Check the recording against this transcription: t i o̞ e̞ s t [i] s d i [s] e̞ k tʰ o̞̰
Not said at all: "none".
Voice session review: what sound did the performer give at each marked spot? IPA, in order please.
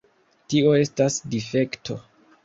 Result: a, f

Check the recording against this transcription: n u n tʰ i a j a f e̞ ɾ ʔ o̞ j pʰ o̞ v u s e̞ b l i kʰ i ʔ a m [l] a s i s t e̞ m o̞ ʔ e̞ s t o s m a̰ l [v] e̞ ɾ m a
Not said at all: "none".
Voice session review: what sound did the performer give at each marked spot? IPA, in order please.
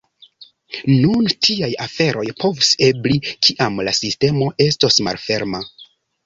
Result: l, f

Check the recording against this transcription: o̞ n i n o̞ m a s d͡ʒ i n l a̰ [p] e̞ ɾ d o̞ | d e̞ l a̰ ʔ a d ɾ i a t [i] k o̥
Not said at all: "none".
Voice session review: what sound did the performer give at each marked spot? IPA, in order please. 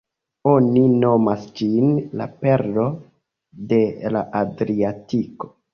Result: p, i

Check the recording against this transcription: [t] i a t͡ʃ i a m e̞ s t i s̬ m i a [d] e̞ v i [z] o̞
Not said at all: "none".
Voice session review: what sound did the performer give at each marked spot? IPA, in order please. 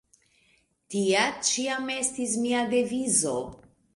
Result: t, d, z

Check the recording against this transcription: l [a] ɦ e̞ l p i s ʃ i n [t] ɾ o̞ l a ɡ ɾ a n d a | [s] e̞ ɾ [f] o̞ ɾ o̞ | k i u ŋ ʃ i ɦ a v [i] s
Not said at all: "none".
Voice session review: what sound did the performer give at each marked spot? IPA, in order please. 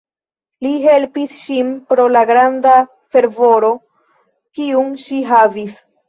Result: i, p, f, v, i

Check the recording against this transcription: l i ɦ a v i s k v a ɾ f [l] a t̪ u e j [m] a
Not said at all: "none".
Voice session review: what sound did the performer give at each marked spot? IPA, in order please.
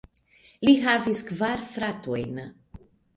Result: ɾ, n

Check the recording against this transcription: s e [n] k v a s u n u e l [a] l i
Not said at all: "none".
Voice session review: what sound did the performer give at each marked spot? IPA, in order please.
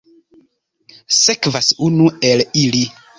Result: none, i

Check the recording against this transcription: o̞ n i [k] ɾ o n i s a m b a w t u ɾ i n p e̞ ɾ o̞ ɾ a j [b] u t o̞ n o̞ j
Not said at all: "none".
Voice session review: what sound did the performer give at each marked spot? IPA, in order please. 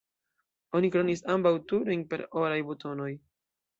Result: k, b

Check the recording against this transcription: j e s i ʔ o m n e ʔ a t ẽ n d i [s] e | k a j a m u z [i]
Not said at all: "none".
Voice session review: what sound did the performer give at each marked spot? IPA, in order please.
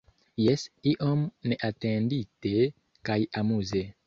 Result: t, e

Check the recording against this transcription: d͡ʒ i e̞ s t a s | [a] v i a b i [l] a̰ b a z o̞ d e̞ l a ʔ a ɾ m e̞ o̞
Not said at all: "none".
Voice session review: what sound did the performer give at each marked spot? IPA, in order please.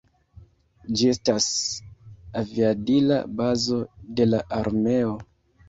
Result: a, l

